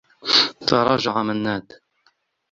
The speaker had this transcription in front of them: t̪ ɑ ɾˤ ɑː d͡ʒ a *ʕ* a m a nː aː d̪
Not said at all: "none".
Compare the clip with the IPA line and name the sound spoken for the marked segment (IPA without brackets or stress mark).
ʕ